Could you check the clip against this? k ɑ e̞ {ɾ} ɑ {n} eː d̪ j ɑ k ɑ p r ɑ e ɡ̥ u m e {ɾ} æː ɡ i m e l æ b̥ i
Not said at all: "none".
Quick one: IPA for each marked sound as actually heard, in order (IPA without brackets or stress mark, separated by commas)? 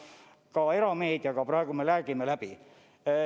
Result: ɾ, m, l